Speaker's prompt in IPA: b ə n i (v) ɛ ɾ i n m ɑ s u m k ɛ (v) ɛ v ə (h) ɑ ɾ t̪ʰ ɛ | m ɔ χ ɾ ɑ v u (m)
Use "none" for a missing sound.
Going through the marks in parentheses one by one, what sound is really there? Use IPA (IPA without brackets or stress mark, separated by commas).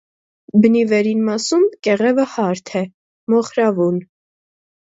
v, ʁ, h, n